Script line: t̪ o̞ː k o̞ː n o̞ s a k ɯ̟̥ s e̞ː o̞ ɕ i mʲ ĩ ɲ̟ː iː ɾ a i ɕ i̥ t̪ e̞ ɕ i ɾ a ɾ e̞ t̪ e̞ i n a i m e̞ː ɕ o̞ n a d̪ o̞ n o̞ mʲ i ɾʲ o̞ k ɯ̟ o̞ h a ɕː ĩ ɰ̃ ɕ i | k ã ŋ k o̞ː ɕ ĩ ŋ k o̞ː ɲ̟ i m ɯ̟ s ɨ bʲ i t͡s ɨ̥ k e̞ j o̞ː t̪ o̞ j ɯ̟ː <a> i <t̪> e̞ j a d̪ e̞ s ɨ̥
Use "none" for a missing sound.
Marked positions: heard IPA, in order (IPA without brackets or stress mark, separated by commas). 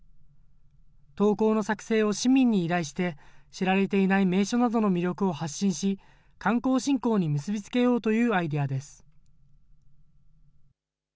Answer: a, d̪